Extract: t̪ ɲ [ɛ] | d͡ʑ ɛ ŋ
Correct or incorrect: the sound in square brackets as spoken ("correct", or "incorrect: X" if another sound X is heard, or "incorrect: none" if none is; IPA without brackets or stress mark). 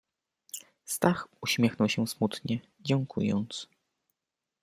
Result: correct